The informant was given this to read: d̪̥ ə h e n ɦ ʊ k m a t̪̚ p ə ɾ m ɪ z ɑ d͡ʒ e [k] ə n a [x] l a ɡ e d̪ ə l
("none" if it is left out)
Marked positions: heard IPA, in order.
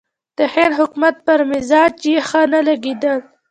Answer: x, none

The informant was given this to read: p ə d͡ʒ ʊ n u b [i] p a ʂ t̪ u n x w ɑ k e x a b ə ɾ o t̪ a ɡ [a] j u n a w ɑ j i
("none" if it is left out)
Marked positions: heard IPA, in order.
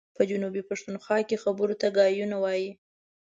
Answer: i, ɑ

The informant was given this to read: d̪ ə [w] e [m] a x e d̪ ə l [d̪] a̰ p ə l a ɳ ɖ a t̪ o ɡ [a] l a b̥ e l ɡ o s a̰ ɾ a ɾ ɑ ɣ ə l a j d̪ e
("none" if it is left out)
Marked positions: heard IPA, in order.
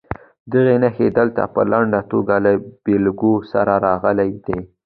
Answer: ɣ, n, t̪, a

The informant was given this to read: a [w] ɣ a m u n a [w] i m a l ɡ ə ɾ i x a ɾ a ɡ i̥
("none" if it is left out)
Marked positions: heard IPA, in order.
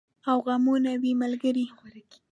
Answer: w, w

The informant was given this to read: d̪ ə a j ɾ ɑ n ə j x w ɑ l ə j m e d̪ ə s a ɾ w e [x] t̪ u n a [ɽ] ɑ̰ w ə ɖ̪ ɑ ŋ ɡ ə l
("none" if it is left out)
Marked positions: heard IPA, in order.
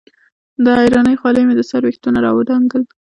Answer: x, ɾ

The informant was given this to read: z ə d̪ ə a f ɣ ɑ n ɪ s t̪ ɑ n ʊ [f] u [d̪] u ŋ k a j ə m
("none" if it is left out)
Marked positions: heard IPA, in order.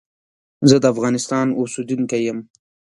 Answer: s, d̪

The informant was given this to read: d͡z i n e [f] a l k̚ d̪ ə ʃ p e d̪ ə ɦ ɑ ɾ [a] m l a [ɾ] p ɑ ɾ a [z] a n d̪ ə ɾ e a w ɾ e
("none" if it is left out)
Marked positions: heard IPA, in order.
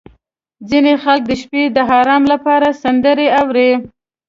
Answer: x, ɑ, none, s

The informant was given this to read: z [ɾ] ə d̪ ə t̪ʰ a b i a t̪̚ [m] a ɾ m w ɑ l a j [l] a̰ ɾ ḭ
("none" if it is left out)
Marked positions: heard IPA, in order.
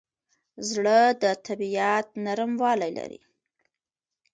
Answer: ɽ, n, l

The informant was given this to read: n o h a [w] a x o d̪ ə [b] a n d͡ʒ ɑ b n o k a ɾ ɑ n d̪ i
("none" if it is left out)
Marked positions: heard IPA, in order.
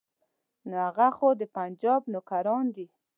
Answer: ɣ, p

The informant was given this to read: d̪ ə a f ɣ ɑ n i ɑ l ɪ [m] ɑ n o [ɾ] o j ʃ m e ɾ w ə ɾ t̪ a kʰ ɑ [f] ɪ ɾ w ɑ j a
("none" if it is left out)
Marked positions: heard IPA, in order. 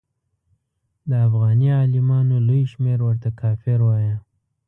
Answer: m, l, f

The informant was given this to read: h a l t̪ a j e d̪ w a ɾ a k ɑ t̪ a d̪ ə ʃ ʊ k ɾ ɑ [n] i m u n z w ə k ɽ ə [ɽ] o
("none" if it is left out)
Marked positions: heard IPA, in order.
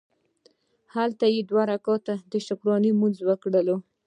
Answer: n, l

